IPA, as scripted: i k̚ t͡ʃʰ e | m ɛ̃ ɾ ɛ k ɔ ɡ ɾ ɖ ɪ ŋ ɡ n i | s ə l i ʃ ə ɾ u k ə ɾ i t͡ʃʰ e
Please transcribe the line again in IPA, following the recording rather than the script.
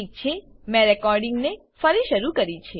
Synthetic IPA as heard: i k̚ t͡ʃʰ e | m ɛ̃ ɾ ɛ k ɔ ɾ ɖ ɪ ŋ ɡ n e | f ə ɾ i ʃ ə ɾ u k ə ɾ i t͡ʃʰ e

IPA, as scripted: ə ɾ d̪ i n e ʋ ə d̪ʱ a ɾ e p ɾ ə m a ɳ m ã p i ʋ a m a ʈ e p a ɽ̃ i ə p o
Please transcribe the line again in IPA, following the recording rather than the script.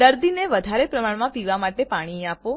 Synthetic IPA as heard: ə ɾ d̪ i n e ʋ ə d̪ʱ a ɾ e p ɾ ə m a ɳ m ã p i ʋ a m a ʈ e p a ɽ̃ i a p o

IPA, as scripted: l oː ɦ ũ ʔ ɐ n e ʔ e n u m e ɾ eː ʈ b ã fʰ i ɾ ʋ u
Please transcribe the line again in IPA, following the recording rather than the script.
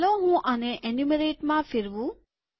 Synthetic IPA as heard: l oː ɦ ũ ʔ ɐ n e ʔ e n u m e ɾ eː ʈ m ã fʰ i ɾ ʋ u

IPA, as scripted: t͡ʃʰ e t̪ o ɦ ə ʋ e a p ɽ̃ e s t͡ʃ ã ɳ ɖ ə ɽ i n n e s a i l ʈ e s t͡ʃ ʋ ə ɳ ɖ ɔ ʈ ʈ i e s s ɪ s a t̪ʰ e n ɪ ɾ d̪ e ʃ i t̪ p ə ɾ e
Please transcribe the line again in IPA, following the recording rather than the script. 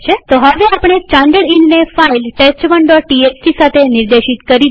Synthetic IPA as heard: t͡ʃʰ e t̪ o ɦ ə ʋ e a p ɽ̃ e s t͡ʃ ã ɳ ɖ ə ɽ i n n e f a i l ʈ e s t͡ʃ ʋ ə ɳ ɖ ɔ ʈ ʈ i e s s i s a t̪ʰ e n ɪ ɾ d̪ e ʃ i t̪ k ə ɾ i

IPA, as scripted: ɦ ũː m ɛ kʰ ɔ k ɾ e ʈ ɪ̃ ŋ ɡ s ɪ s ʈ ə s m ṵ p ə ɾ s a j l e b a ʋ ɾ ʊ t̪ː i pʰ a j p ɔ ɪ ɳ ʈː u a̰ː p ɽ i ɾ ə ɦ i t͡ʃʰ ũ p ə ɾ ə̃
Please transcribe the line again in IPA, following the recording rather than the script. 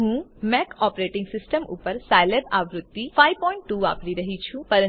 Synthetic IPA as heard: ɦ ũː m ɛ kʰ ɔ p ɾ e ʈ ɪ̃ ŋ ɡ s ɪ s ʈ ə m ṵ p ə ɾ s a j l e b a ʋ ɾ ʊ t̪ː i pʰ a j p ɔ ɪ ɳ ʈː u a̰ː p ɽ i ɾ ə ɦ i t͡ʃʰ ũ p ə ɾ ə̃

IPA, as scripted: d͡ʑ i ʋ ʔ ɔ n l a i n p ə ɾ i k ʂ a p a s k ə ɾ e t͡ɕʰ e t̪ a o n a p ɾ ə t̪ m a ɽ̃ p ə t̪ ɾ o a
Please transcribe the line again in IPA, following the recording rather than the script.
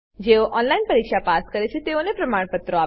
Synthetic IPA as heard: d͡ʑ e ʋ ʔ ɔ n l a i n p ə ɾ i k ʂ a p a s k ə ɾ e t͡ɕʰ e t̪ e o n e p ɾ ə m a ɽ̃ p ə t̪ ɾ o a

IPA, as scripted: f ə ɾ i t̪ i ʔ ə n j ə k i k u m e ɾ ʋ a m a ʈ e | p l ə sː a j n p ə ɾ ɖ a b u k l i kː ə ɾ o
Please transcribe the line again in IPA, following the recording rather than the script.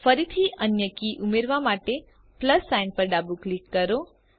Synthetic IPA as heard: f ə ɾ i t̪ʰ i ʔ ə n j ə k i ʔ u m e ɾ ʋ a m a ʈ e | p l ə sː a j n p ə ɾ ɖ a b u k l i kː ə ɾ o

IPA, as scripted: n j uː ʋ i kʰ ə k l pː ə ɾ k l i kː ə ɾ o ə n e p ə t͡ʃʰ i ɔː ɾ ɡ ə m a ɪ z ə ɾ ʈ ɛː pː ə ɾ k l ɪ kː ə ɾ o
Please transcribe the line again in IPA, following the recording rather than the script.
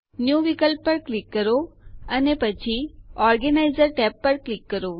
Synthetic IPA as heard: n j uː ʋ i k ə l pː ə ɾ k l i kː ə ɾ o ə n e p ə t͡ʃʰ i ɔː ɾ ɡ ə n a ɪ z ə ɾ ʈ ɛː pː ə ɾ k l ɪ kː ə ɾ o

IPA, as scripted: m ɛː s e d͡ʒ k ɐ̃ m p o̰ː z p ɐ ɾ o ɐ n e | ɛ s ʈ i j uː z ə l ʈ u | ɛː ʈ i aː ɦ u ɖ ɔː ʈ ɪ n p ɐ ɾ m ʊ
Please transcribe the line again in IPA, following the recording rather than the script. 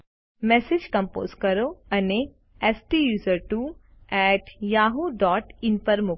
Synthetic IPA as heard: m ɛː s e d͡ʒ k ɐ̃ m p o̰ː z k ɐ ɾ o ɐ n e | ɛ s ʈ i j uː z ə ɾ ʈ u | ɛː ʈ j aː ɦ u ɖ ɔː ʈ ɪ n p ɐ ɾ m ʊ

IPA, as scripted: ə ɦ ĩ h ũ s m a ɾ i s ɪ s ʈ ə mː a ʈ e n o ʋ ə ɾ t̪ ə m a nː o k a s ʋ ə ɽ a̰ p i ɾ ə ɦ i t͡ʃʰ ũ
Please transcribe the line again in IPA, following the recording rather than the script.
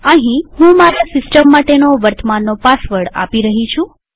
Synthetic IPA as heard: ə ɦ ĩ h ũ m a ɾ a s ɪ s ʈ ə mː a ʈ e n o ʋ ə ɾ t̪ ə m a nː o p a s ʋ ə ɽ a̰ p i ɾ ə ɦ i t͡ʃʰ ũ

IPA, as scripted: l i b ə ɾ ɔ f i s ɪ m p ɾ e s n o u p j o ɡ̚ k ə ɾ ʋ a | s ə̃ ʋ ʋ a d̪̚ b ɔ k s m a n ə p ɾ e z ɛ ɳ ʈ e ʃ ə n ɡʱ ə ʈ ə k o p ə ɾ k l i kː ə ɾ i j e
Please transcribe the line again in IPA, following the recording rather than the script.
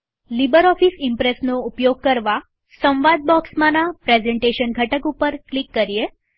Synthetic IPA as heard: l i b ə ɾ ɔ f i s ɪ m p ɾ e s n o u p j o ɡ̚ k ə ɾ ʋ a | s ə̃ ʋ ʋ a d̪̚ b ɔ k s m a n a p ɾ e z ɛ ɳ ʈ e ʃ ə n ɡʱ ə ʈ ə k u p ə ɾ k l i kː ə ɾ i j e

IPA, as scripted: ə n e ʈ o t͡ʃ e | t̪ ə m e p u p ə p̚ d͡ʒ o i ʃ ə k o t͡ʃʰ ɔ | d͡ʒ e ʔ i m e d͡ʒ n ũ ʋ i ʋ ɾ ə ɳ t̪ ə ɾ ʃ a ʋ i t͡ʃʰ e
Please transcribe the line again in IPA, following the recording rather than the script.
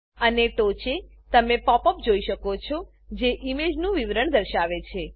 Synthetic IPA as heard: ə n e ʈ o t͡ʃ e | t̪ ə m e p ɔ p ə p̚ d͡ʒ o i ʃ ə k o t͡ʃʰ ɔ | d͡ʒ e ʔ i m e d͡ʒ n ũ ʋ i ʋ ɾ ə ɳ d̪ ə ɾ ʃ a ʋ e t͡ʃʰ e

